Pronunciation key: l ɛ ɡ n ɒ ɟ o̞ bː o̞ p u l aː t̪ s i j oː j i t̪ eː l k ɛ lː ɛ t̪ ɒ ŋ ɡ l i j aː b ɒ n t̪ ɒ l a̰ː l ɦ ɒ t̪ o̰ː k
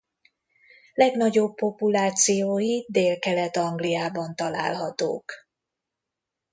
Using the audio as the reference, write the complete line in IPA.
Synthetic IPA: l ɛ ɡ n ɒ ɟ o̞ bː o̞ p u l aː t̪ s i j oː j i d̪ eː l k ɛ l ɛ t̪ ɒ ŋ ɡ l i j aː b ɒ n t̪ ɒ l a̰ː l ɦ ɒ t̪ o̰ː k